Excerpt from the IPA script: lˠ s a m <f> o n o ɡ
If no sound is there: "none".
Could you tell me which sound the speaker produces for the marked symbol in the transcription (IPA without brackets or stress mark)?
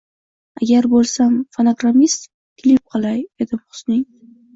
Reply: f